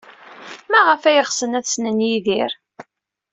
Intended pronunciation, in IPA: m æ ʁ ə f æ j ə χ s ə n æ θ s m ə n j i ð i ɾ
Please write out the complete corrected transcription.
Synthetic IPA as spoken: m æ ʁ ə f æ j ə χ s ə n æ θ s n ə n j i ð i ɾ